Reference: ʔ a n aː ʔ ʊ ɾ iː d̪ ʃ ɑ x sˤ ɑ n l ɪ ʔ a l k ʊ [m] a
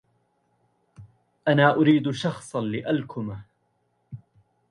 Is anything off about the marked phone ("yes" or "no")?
no